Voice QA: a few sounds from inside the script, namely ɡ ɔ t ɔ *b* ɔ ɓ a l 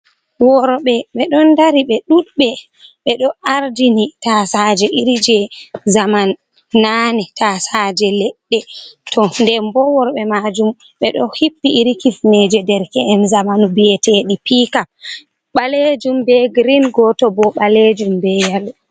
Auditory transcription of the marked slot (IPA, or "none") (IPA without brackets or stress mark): b